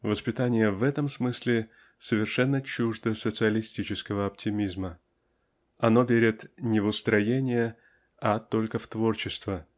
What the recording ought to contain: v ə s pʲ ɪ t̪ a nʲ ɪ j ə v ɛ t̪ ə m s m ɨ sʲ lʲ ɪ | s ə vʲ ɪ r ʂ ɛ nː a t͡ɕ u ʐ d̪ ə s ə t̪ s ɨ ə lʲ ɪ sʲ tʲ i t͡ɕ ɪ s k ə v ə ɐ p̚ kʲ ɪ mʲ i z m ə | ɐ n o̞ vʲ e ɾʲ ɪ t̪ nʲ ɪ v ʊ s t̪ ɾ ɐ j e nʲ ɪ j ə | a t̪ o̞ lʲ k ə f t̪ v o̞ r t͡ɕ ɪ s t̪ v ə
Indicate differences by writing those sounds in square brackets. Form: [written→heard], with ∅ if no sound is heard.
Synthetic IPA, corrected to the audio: v ə s pʲ ɪ t̪ a nʲ ɪ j ə v ɛ t̪ ə m s m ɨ sʲ lʲ ɪ | s ə vʲ ɪ r ʂ ɛ nː [a→ə] t͡ɕ u ʐ d̪ ə s ə t̪ s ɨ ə lʲ ɪ sʲ tʲ i t͡ɕ ɪ s k ə v ə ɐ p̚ [kʲ→tʲ] ɪ mʲ i z m ə | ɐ n o̞ vʲ e ɾʲ ɪ t̪ nʲ ɪ v ʊ s t̪ ɾ ɐ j e nʲ ɪ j ə | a t̪ o̞ lʲ k ə f t̪ v o̞ r t͡ɕ ɪ s t̪ v ə